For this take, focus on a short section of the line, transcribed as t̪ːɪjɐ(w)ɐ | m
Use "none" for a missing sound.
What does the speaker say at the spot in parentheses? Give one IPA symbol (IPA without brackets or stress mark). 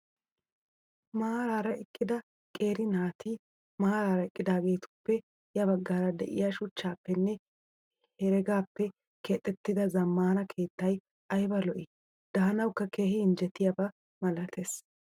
b